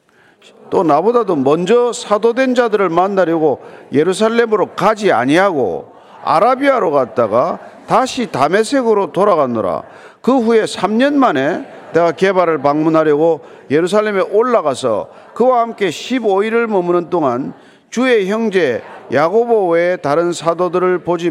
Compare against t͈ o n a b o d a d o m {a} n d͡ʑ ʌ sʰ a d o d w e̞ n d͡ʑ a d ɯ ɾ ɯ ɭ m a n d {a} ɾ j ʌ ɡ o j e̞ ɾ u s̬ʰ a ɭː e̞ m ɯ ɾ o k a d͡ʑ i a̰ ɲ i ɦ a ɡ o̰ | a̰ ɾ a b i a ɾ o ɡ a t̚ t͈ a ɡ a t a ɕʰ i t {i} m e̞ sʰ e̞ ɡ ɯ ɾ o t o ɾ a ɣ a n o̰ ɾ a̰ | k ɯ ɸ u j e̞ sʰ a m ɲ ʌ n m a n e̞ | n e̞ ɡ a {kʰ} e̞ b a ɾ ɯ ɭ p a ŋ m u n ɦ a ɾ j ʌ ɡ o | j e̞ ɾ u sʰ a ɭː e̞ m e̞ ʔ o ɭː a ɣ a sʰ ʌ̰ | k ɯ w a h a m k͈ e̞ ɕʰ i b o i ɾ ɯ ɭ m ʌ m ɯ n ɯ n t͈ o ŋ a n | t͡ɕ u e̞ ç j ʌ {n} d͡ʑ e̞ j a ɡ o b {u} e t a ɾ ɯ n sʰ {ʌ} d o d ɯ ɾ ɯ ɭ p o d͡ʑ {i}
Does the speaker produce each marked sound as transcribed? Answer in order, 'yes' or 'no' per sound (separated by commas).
no, yes, no, no, no, no, no, yes